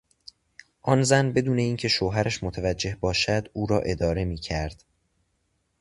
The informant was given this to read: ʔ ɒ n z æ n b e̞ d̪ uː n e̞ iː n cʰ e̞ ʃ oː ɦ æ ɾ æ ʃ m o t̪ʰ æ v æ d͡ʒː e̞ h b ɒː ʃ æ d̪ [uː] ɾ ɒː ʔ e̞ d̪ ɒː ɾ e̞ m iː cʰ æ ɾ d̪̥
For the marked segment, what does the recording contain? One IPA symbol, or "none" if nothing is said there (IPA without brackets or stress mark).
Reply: uː